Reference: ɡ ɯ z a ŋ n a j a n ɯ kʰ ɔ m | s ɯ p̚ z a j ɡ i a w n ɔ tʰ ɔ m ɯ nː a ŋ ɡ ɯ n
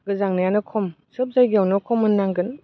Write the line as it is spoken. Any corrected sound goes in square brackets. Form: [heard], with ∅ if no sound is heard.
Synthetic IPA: ɡ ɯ z a ŋ n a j a n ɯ kʰ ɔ m | s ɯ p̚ z a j ɡ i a w n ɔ [kʰ] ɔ m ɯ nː a ŋ ɡ ɯ n